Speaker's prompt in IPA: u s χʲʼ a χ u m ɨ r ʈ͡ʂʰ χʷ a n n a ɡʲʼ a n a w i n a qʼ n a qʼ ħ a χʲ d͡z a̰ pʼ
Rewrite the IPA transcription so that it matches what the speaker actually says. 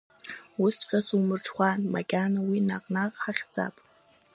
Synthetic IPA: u s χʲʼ a s u m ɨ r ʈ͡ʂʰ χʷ a n m a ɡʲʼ a n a w i n a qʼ n a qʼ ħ a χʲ d͡z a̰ pʼ